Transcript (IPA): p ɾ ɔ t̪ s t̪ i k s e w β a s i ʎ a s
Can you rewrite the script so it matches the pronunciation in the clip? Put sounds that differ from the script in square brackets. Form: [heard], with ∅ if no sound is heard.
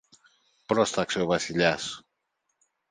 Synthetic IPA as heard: p ɾ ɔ [∅] s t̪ [a] k s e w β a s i ʎ a s